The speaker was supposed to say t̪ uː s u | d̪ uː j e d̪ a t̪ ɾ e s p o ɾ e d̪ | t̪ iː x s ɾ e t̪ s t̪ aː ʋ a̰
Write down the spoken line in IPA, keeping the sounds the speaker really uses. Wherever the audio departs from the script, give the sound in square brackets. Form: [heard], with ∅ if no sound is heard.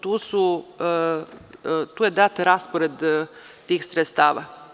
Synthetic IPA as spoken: t̪ uː s u | [t̪] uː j e d̪ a t̪ ɾ [a] s p o ɾ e d̪ | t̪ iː x s ɾ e t̪ s t̪ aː ʋ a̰